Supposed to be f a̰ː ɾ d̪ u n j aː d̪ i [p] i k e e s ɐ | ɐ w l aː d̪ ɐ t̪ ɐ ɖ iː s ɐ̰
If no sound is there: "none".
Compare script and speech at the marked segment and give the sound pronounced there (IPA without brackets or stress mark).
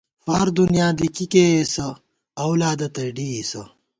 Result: k